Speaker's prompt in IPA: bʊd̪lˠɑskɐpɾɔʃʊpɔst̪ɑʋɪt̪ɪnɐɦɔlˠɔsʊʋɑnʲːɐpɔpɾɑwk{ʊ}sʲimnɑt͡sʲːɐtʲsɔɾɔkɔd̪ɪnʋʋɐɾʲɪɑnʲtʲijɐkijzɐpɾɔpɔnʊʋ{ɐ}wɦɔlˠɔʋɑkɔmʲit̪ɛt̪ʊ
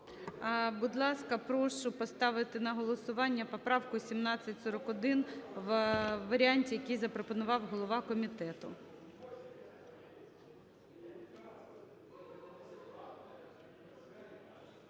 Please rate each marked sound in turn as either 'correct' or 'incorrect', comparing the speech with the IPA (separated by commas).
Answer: correct, incorrect